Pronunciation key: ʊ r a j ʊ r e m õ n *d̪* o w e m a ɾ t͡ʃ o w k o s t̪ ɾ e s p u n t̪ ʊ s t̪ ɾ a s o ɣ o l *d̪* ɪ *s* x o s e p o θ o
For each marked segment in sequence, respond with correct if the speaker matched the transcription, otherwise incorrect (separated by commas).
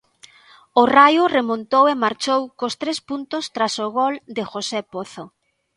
incorrect, correct, incorrect